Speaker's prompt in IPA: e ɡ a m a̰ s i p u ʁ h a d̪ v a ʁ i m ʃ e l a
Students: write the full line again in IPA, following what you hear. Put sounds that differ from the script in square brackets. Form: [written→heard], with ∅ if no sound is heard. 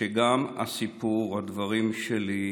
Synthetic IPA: e ɡ a m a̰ s i p u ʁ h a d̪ v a ʁ i m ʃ e l [a→i]